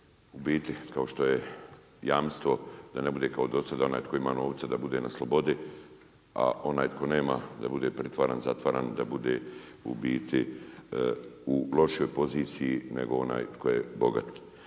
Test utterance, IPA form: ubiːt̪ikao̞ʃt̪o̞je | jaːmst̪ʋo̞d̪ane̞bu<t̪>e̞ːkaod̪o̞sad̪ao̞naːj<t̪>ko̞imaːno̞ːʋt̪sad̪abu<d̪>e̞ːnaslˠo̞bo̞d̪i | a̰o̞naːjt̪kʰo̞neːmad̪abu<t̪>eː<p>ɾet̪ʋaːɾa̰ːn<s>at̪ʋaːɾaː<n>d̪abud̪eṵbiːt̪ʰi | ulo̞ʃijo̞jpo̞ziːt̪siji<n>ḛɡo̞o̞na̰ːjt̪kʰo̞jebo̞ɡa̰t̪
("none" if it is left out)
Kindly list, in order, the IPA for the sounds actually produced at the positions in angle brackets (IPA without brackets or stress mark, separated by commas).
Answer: d̪, t̪, d̪, d̪, p, z, n, n